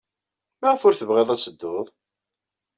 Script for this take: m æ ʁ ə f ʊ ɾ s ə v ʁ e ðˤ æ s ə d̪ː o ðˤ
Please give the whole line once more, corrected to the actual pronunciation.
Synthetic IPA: m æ ʁ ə f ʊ ɾ θ ə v ʁ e ðˤ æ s ə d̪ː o ðˤ